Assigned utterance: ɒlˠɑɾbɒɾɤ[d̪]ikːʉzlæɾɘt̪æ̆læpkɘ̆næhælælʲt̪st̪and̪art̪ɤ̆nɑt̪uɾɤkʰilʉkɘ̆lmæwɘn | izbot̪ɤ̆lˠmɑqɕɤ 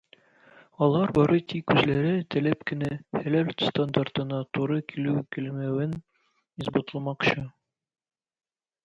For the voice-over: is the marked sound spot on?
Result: no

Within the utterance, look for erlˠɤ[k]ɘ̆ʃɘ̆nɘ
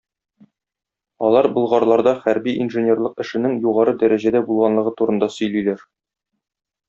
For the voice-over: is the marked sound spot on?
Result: no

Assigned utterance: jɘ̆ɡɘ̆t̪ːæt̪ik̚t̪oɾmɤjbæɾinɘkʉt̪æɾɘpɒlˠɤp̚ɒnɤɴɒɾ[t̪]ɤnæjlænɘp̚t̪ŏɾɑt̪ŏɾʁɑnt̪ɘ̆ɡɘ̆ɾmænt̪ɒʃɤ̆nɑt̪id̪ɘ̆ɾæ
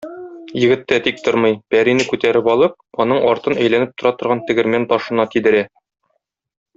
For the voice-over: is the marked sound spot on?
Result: yes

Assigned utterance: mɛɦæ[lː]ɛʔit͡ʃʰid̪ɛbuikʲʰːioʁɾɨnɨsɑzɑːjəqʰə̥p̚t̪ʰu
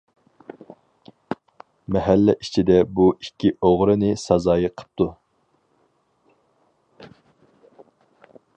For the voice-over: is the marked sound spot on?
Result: yes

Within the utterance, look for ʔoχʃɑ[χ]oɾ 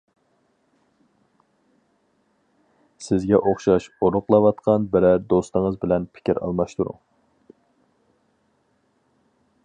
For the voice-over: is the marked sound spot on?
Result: no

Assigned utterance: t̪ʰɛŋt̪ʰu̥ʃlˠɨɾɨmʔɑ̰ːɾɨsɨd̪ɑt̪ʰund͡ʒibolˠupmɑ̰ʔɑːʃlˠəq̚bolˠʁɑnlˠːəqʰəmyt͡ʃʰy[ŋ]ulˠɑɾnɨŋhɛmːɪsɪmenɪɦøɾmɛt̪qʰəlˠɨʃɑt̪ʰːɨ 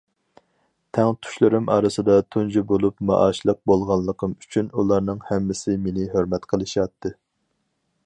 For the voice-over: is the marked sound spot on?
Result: no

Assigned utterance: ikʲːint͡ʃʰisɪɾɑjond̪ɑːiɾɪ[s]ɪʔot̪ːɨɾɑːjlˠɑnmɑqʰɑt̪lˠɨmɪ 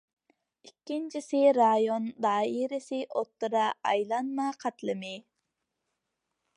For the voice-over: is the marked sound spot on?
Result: yes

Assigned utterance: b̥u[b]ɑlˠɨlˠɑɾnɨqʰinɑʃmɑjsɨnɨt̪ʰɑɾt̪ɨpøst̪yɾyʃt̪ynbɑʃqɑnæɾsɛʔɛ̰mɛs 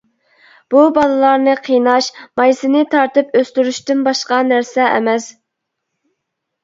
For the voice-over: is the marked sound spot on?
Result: yes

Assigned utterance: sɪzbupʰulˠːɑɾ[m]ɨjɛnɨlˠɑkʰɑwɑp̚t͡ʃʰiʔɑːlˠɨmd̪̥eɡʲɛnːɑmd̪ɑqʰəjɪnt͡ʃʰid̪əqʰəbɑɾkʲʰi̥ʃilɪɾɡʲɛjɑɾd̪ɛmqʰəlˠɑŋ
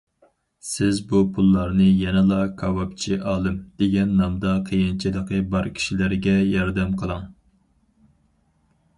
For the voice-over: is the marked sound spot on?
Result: no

